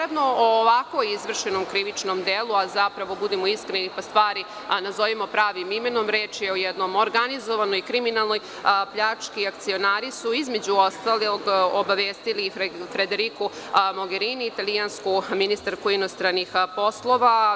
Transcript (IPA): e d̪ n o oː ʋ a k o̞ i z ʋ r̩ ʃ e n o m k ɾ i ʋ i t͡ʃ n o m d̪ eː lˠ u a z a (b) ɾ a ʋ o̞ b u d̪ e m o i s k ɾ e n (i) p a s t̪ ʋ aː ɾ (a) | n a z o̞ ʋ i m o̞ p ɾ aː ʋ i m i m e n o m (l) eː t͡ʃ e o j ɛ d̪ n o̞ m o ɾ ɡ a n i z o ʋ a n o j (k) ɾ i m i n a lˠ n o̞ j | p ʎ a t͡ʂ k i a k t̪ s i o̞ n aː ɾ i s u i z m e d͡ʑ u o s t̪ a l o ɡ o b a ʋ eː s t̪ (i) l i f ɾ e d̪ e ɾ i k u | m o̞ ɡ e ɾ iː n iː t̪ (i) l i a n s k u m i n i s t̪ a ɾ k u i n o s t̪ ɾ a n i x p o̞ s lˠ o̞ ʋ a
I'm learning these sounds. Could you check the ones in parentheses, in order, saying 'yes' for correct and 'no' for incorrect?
no, yes, no, no, yes, yes, no

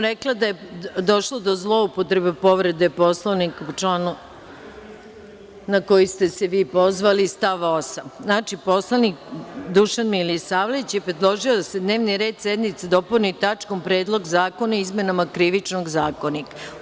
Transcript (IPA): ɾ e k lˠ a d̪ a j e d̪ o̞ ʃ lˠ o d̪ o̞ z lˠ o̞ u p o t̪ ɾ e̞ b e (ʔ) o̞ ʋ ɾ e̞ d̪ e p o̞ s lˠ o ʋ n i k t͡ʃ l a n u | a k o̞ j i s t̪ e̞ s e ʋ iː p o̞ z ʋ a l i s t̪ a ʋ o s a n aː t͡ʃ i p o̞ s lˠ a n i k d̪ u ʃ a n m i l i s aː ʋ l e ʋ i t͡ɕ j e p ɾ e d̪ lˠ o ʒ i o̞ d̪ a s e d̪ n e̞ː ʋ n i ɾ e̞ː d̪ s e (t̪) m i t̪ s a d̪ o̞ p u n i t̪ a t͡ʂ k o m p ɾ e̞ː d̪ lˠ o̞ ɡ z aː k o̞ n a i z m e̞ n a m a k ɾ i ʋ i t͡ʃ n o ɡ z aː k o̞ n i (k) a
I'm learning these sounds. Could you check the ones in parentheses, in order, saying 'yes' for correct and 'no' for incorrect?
no, no, yes

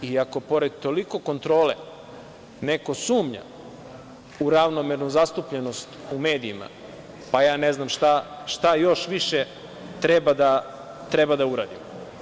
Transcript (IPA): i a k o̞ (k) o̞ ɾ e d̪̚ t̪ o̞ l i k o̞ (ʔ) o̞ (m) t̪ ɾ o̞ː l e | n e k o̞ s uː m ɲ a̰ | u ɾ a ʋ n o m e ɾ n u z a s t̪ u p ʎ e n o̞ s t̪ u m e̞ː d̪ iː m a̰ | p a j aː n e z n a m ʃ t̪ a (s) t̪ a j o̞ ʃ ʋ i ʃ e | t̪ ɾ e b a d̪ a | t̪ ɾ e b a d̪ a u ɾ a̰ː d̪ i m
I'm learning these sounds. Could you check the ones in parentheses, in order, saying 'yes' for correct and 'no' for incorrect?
no, no, no, no

